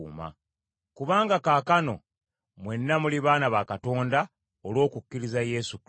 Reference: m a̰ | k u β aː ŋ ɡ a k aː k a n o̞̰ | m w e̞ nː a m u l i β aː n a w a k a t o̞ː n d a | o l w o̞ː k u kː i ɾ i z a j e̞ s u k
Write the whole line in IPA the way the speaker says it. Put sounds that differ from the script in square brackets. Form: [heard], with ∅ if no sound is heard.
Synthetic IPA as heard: m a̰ | k u β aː ŋ ɡ a k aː k a n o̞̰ | m w e̞ nː a m u l i β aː n a [β] a k a t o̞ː n d a | o l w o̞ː k u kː i ɾ i z a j e̞ s u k